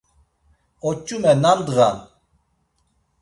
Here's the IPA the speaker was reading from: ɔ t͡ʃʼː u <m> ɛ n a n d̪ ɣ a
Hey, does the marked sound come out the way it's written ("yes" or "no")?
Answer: yes